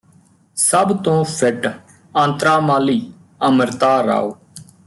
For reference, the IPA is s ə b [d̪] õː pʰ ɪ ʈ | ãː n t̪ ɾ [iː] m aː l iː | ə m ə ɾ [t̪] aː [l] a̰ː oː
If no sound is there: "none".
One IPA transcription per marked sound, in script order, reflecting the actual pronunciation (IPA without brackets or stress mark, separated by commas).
t̪, aː, t̪, ɾ